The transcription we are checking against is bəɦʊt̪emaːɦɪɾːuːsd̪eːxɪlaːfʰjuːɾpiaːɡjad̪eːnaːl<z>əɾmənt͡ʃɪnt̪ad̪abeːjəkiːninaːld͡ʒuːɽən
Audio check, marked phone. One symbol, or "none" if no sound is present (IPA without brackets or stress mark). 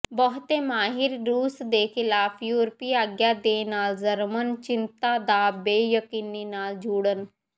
z